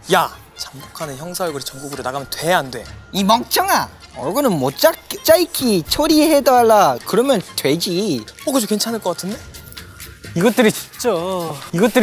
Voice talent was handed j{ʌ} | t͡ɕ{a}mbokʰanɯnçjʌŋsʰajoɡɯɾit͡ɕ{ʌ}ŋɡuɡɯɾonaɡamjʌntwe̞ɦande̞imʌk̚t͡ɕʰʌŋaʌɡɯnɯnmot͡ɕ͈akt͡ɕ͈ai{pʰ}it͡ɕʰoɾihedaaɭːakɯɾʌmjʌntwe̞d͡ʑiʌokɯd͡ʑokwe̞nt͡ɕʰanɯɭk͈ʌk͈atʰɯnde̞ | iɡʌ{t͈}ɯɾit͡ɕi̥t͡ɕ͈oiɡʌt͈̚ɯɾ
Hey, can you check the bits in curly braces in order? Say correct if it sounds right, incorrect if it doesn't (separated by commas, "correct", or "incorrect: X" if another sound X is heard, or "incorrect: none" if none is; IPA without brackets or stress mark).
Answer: incorrect: a, correct, correct, incorrect: kʰ, correct